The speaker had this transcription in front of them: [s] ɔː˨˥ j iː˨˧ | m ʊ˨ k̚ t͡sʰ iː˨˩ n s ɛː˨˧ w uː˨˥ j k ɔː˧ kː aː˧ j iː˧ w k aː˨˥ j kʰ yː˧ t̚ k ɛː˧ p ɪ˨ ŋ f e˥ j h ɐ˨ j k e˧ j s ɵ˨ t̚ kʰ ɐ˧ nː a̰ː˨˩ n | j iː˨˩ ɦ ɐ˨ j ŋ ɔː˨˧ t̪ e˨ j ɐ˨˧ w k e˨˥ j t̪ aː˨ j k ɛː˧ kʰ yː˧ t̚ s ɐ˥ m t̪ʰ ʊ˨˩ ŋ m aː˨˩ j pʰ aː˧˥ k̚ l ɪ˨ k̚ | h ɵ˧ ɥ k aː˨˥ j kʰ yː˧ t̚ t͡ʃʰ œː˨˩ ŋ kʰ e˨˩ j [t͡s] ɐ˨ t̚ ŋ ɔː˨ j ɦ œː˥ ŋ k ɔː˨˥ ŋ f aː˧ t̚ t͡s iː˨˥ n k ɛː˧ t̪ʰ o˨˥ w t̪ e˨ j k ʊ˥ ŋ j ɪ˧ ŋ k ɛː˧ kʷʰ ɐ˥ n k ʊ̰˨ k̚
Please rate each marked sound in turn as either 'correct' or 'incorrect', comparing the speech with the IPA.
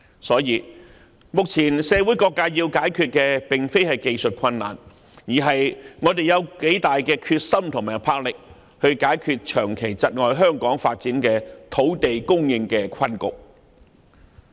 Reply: correct, correct

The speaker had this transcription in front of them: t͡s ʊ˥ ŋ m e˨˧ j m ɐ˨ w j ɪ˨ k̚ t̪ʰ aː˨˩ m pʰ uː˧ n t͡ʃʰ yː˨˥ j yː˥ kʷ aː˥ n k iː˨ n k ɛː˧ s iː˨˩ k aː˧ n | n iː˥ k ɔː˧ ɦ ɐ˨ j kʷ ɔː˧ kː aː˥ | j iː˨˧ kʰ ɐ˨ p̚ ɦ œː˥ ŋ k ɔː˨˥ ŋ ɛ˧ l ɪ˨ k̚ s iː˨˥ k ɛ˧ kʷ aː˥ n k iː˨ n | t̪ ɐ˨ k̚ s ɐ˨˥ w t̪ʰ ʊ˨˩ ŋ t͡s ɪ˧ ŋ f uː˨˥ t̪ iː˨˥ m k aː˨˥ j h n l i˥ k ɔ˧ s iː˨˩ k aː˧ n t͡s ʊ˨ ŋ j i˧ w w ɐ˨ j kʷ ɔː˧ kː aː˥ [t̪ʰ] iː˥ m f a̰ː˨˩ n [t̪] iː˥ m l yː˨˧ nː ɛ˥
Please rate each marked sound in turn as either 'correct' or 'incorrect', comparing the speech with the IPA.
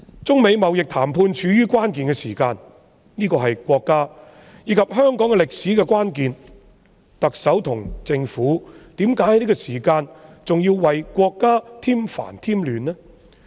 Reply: correct, incorrect

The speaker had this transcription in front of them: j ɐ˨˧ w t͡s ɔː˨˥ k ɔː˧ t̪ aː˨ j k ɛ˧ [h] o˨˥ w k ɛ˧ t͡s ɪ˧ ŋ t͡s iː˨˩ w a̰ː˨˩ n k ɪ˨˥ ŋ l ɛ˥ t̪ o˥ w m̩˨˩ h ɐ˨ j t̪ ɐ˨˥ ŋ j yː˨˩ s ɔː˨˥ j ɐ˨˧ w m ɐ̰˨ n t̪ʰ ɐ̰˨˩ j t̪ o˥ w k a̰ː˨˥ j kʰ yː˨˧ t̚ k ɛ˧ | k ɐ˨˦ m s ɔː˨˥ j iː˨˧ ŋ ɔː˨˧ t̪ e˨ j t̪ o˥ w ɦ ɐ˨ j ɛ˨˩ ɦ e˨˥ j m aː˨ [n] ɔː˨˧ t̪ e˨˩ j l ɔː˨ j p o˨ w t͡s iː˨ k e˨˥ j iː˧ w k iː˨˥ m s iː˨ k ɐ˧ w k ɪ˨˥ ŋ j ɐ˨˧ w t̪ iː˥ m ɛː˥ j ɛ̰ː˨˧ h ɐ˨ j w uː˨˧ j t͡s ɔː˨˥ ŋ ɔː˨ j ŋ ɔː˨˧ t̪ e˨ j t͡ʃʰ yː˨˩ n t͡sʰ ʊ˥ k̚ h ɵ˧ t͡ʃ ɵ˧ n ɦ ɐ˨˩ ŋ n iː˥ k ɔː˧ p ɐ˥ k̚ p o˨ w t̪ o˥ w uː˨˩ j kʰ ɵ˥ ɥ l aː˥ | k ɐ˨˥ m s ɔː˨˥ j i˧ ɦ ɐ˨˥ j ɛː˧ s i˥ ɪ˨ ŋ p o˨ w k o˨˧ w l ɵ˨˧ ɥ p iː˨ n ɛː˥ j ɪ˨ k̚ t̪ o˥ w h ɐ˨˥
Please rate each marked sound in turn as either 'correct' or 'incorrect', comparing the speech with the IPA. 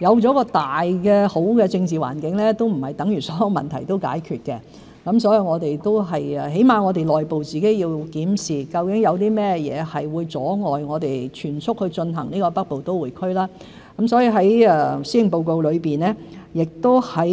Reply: correct, incorrect

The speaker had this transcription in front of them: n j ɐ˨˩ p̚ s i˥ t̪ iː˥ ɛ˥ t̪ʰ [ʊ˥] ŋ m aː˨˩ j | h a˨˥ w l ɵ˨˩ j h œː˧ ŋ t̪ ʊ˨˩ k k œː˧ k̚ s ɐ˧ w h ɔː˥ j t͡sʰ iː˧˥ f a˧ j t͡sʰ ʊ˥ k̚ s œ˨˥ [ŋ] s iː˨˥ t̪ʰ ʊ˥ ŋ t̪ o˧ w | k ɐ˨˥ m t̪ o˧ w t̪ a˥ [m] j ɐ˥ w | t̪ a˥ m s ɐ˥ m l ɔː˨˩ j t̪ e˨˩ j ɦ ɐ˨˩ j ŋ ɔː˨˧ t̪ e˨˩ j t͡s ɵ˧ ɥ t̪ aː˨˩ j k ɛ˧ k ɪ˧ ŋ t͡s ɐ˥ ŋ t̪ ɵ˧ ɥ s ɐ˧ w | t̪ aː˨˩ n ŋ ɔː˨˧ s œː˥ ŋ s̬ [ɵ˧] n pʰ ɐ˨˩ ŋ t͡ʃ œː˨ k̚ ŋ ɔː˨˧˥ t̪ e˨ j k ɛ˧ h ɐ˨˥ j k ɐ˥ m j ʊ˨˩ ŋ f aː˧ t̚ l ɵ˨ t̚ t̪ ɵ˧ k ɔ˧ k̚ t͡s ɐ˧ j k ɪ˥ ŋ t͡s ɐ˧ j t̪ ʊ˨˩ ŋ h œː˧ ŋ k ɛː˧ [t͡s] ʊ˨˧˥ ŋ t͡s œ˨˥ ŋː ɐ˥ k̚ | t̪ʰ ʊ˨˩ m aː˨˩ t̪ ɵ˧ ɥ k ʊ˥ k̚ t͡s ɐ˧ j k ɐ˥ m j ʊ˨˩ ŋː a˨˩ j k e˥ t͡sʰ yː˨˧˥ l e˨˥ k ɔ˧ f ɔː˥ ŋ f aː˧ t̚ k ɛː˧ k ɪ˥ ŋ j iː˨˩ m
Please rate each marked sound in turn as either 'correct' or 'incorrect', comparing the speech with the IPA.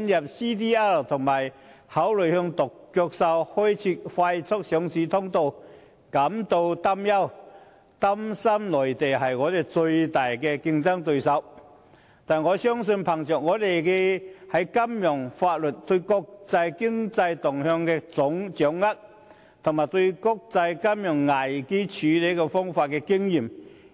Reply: incorrect, correct, correct, correct, correct

